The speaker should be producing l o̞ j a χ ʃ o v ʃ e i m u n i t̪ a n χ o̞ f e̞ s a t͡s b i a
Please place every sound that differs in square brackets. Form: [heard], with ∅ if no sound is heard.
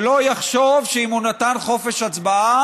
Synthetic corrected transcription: l o̞ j a χ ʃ o v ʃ e i m u n [a] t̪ a n χ o̞ f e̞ [ʃ] a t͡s b [a] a